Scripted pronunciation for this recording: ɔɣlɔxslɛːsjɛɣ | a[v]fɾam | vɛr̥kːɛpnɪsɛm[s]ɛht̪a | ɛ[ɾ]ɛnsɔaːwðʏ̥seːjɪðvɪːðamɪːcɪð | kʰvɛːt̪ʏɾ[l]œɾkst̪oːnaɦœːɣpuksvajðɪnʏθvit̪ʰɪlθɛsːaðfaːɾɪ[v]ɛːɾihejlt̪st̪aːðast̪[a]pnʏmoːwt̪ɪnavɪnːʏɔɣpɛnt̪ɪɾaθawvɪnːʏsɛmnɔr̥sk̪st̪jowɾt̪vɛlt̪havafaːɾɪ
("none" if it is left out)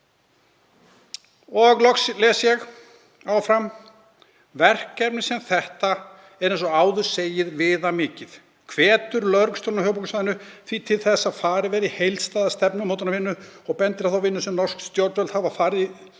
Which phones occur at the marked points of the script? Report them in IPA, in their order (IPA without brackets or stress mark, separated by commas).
w, θ, ɾ, l, v, ɛ